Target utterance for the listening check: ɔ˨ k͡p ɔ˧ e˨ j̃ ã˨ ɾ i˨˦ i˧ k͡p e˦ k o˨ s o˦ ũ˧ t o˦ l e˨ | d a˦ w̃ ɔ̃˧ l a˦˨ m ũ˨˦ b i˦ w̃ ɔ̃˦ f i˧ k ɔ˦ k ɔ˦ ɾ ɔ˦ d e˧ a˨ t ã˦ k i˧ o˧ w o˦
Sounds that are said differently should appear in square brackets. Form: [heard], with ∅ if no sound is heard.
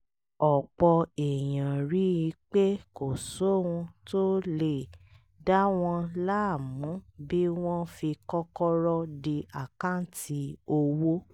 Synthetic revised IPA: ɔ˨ k͡p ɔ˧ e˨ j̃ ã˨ ɾ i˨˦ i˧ k͡p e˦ k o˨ s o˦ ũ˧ t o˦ l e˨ | d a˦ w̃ ɔ̃˧ l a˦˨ m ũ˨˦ b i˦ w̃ ɔ̃˦ f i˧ k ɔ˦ k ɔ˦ ɾ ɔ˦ d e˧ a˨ [k] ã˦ [t] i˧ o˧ w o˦

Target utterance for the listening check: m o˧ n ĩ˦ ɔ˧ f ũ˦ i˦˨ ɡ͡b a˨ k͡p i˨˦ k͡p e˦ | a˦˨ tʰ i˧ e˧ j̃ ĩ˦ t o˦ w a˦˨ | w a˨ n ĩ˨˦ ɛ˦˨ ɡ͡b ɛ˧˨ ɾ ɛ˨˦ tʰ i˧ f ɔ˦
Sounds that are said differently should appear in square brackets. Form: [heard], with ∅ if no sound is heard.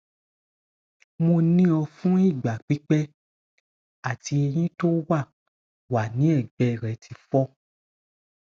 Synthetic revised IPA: m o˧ n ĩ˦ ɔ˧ f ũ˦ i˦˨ ɡ͡b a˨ k͡p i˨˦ k͡p [ɛ˦] | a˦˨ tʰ i˧ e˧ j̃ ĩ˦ t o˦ w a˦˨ | w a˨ n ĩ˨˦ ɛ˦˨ ɡ͡b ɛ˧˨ ɾ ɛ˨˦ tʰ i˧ f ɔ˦

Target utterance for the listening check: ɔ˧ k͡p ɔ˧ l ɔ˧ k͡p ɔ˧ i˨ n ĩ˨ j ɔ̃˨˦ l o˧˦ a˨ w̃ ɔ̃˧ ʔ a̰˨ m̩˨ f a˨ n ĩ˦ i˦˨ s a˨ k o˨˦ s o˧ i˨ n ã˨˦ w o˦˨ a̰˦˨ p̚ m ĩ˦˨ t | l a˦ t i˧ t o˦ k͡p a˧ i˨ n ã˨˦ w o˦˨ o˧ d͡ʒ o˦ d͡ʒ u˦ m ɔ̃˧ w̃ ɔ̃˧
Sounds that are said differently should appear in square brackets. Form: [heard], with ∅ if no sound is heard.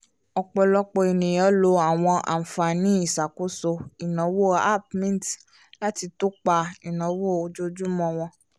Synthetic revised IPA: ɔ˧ k͡p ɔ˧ l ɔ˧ k͡p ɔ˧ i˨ n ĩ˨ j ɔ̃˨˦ l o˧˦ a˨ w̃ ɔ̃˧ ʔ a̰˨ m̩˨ f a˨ n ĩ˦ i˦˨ s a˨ k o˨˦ s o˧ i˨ n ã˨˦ w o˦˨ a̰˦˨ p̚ m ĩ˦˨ t | l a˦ t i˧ t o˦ k͡p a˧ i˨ n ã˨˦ w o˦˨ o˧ d͡ʒ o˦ d͡ʒ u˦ m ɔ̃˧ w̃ ɔ̃˧

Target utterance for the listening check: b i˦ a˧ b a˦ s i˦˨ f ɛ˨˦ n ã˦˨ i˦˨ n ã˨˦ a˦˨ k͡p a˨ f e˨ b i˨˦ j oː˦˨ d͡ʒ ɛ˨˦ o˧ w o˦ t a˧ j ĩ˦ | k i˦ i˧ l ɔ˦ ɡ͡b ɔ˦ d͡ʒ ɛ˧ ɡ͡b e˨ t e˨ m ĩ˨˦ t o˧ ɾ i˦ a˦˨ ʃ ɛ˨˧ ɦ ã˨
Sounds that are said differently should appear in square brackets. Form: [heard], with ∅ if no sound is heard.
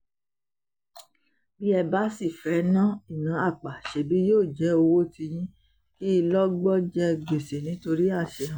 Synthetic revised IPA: b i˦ [ɛ˧] b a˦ s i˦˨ f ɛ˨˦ n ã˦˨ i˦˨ n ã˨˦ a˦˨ k͡p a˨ [ʃ] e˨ b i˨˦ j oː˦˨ d͡ʒ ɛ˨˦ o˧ w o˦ t [i˧] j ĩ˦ | k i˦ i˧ l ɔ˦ ɡ͡b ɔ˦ d͡ʒ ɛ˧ ɡ͡b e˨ [s] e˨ [n] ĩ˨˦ t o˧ ɾ i˦ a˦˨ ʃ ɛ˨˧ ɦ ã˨

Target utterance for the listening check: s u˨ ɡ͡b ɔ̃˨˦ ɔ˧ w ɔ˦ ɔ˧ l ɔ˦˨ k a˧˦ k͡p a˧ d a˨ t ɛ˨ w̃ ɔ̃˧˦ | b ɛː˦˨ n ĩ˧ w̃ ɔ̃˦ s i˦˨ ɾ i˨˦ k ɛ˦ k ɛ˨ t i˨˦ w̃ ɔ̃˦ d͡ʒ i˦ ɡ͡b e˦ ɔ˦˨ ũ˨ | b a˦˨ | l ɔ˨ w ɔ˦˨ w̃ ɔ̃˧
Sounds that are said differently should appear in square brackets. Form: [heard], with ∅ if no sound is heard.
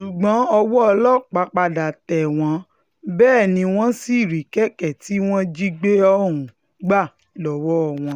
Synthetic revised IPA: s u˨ ɡ͡b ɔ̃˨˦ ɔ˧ w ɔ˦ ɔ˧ l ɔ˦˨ [k͡p] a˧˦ k͡p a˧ d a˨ t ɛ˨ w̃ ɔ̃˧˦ | b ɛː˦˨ n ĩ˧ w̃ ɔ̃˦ s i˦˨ ɾ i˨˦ k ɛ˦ k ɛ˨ t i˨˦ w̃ ɔ̃˦ d͡ʒ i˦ ɡ͡b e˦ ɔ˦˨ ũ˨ | [ɡ͡b] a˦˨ | l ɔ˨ w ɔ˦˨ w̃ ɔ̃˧

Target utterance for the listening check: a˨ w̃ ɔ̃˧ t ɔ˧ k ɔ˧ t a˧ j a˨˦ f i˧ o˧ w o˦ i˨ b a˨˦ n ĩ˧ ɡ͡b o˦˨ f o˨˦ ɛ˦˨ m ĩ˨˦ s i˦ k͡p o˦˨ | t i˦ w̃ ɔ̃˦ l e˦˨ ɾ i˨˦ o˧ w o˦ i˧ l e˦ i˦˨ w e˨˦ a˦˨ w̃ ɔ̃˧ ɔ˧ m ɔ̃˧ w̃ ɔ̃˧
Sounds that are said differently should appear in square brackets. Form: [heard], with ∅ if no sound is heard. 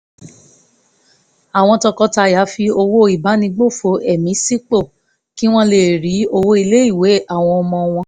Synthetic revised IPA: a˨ w̃ ɔ̃˧ t ɔ˧ k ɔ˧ t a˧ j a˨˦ f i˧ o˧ w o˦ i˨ b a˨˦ n ĩ˧ ɡ͡b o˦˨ f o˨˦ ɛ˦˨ m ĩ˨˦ s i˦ k͡p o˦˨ | [k] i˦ w̃ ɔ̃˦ l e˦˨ ɾ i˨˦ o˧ w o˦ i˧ l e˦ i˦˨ w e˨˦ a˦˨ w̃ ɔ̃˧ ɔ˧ m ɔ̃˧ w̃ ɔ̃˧

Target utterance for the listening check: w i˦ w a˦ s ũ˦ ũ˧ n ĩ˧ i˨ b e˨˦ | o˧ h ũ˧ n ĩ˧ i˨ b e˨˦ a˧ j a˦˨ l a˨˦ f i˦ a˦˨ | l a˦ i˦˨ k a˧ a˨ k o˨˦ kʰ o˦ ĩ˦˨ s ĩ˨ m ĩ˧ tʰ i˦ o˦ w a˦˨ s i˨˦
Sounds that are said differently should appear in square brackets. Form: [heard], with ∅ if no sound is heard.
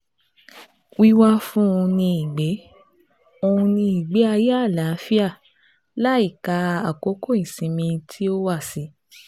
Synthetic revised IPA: w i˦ w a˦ [f] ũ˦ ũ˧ n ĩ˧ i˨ [ɡ͡b] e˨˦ | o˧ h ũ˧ n ĩ˧ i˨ [ɡ͡b] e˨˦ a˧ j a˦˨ l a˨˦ f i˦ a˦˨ | l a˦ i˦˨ k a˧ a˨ k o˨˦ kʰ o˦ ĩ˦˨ s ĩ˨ m ĩ˧ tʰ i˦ o˦ w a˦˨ s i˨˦

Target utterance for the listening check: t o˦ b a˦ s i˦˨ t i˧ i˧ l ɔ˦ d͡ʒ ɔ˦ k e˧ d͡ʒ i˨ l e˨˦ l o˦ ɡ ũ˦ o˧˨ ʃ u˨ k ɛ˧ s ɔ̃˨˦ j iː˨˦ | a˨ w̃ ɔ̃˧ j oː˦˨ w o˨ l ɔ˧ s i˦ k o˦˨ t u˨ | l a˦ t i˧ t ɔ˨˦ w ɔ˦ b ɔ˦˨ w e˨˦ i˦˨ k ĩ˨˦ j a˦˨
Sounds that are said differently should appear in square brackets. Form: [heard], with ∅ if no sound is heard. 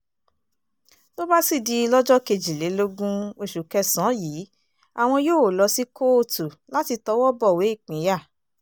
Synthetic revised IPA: t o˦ b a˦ s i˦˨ [d] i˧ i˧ l ɔ˦ d͡ʒ ɔ˦ k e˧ d͡ʒ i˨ l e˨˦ l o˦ ɡ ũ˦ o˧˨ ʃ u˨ k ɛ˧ s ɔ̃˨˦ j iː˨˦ | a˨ w̃ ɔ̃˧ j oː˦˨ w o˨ l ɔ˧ s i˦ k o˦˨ t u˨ | l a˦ t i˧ t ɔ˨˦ w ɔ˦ b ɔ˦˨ w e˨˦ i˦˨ [k͡p] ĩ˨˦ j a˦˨

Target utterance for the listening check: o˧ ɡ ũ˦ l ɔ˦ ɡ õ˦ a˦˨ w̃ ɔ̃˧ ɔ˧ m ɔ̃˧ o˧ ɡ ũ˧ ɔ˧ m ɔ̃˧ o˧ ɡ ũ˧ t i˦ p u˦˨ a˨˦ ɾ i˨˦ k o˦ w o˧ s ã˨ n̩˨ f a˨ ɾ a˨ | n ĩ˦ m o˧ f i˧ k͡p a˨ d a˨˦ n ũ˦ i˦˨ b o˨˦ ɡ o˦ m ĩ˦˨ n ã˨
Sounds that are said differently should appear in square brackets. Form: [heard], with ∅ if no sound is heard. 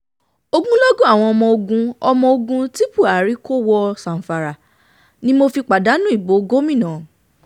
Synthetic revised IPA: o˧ ɡ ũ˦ l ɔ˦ ɡ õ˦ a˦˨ w̃ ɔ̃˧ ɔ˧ m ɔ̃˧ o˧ ɡ ũ˧ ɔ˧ m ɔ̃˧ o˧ ɡ ũ˧ t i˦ p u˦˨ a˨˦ ɾ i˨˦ k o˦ w [ɔ˧] s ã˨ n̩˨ f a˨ ɾ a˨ | n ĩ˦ m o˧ f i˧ k͡p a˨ d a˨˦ n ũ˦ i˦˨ b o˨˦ ɡ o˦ m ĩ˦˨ n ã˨

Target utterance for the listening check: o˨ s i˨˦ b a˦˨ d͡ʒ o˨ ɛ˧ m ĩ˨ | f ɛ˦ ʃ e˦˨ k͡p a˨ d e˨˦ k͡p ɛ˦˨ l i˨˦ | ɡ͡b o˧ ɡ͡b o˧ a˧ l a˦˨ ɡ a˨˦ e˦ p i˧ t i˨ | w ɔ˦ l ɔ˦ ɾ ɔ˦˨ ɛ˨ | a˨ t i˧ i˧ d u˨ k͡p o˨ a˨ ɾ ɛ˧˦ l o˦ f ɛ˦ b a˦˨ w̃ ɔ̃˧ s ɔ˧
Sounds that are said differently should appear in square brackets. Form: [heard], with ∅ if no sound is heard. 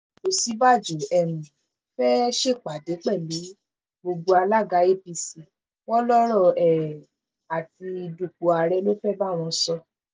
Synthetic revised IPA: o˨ s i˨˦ b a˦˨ d͡ʒ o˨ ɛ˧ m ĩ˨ | f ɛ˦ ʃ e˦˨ k͡p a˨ d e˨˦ k͡p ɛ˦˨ l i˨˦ | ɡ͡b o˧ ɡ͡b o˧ a˧ l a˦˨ ɡ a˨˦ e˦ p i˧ [s] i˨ | w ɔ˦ l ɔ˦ ɾ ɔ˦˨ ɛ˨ | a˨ t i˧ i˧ d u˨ k͡p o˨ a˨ ɾ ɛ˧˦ l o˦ f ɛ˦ b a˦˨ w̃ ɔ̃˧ s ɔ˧

